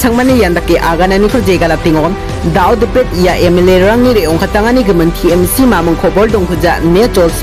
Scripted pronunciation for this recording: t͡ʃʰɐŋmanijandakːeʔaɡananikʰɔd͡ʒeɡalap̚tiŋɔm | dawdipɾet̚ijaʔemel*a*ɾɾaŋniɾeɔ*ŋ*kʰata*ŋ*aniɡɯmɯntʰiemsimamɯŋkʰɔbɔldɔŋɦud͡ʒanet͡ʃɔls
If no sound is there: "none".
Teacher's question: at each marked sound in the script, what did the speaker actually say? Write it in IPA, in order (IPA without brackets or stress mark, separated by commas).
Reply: e, ŋ, ŋ